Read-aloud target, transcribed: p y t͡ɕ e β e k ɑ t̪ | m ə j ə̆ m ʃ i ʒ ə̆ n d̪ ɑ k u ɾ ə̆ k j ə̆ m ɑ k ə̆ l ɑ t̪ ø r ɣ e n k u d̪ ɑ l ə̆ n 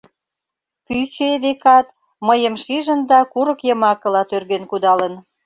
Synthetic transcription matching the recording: p y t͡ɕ e β e k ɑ t̪ | m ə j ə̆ m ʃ i ʒ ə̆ n d̪ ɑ k u ɾ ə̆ k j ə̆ m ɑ k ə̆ l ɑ t̪ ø r ɣ e n k u d̪ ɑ l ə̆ n